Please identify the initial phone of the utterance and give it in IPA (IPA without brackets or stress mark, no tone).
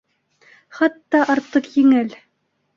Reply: χ